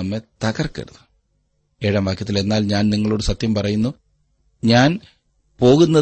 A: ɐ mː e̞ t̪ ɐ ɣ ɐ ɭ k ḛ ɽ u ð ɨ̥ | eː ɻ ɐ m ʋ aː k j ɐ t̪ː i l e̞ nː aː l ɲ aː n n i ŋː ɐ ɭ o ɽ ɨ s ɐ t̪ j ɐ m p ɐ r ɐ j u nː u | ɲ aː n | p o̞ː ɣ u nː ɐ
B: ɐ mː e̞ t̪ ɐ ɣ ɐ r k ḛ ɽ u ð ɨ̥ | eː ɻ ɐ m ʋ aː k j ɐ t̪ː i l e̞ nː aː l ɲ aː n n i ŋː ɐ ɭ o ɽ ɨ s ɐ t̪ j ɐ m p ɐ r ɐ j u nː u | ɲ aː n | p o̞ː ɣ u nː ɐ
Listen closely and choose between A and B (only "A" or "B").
B